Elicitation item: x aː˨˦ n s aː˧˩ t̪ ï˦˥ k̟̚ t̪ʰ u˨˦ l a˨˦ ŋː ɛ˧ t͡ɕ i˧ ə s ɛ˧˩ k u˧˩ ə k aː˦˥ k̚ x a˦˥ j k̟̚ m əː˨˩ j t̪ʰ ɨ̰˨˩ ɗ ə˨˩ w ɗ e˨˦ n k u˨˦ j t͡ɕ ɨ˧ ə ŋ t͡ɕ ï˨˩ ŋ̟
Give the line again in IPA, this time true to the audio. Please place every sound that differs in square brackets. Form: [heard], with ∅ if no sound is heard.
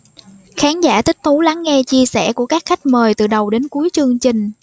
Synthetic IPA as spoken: x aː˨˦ n [z] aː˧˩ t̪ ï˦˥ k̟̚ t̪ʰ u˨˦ l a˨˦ ŋː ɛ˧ t͡ɕ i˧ ə s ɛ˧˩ k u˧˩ ə k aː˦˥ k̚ x a˦˥ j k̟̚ m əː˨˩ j [t̪] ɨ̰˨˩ ɗ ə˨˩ w ɗ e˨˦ n k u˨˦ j t͡ɕ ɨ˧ ə ŋ t͡ɕ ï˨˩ ŋ̟